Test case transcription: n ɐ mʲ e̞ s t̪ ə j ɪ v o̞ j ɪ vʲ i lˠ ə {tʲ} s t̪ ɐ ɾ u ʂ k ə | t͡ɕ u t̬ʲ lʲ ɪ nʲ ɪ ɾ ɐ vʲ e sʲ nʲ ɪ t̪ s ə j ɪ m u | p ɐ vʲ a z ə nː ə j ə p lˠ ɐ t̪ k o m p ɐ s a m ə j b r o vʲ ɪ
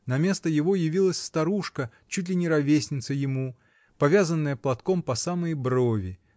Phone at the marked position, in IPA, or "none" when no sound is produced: sʲ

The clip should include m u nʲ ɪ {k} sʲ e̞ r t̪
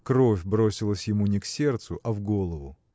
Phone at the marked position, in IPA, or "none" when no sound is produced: k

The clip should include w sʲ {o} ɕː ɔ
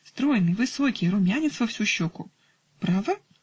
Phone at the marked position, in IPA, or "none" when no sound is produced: u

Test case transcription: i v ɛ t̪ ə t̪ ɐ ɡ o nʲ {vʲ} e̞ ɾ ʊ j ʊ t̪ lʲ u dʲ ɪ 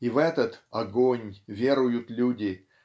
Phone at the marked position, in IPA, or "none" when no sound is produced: vʲ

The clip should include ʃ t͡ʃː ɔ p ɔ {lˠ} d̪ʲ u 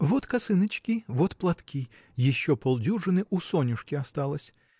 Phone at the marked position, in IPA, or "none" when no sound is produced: lˠ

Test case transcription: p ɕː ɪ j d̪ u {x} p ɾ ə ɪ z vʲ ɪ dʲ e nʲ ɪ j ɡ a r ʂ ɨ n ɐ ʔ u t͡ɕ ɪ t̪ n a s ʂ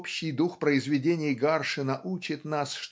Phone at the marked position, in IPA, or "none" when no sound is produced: x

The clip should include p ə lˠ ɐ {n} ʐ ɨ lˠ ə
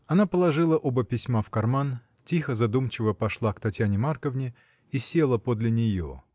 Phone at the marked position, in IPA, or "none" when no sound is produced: none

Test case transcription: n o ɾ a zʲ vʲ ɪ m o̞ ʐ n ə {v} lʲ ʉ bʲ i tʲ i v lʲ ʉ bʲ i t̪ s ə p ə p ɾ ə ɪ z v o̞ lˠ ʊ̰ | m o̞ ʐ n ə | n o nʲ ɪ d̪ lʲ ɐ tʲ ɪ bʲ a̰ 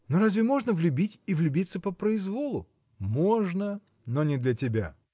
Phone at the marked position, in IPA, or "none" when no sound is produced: v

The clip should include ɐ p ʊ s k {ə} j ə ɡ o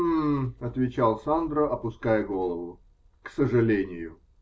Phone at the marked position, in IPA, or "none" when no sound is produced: a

